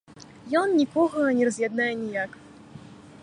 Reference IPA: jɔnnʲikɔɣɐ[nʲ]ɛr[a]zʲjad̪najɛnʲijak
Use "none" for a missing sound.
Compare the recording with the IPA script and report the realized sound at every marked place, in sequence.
nʲ, ɐ

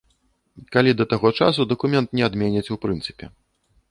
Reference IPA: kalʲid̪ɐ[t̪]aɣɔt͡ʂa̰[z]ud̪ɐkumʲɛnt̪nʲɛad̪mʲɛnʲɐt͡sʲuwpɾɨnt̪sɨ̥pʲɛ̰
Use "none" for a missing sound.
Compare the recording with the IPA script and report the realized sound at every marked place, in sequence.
t̪, s

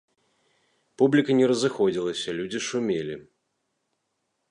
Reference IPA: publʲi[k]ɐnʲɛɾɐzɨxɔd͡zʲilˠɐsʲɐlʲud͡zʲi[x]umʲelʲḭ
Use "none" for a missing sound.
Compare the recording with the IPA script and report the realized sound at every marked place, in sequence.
k, ʂ

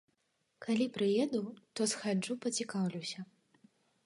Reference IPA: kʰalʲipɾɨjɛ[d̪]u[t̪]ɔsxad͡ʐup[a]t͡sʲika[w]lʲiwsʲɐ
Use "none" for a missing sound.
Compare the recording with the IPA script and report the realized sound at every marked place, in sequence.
d̪, t̪, ɐ, w

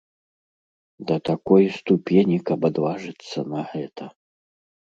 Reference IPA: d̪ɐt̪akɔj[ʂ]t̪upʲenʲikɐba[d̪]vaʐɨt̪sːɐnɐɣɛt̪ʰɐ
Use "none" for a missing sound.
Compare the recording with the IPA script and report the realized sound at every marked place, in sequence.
s, d̪

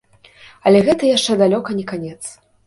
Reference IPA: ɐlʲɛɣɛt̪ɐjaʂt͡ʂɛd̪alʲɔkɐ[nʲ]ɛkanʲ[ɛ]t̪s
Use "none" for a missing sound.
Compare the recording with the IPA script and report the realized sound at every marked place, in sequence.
nʲ, ɛ

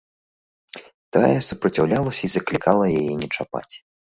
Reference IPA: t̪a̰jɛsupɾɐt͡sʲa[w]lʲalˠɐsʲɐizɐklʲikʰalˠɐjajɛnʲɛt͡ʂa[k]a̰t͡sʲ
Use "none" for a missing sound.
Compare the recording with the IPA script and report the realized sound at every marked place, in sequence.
w, p

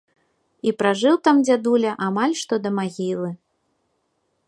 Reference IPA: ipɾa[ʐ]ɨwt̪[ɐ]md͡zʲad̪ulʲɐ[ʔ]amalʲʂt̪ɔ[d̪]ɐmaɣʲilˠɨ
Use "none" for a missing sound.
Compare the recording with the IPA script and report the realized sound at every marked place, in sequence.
ʐ, a, ʔ, d̪

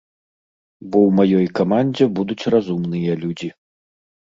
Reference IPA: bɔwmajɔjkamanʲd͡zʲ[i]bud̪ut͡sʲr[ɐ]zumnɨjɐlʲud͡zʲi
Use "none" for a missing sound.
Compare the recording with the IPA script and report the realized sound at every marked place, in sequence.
ɛ, a

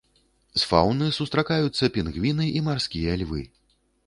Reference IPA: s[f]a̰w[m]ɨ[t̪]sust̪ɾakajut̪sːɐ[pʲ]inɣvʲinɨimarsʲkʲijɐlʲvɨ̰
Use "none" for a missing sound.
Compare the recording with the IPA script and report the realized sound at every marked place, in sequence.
f, n, none, pʲ

